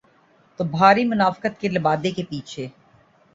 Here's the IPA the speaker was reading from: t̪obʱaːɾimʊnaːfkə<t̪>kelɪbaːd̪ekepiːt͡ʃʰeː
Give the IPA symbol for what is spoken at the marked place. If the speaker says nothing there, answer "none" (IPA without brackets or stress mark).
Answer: t̪